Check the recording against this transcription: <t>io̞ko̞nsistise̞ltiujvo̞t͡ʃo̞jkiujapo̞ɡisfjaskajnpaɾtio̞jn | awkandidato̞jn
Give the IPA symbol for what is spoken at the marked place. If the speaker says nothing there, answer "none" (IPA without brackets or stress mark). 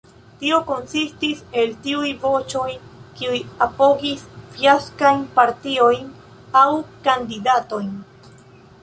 t